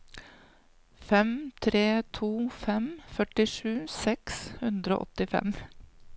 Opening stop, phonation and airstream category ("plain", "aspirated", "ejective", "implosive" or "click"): aspirated